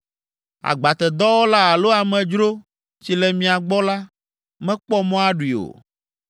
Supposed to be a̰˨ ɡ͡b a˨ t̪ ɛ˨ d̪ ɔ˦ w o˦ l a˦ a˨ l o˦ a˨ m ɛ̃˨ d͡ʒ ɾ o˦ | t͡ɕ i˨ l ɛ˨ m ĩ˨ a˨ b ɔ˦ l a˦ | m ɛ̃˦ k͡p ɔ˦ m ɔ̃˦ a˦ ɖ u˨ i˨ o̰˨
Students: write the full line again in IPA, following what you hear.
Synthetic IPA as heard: a̰˨ ɡ͡b a˨ t̪ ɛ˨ d̪ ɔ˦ w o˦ l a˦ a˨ l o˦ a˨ m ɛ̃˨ d͡ʒ ɾ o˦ | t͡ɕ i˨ l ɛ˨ m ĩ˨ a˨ ɡ͡b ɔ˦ l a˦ | m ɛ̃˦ k͡p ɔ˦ m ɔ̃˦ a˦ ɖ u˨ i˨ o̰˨